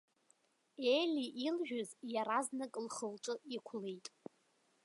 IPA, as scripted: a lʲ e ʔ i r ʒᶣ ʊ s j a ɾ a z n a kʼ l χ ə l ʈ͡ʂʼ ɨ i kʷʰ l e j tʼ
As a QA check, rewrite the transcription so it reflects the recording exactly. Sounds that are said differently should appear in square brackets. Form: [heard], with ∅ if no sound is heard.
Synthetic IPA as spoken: [e] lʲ [i] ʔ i [l] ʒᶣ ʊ [z] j a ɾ a z n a kʼ l χ ə l ʈ͡ʂʼ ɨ i kʷʰ l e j tʼ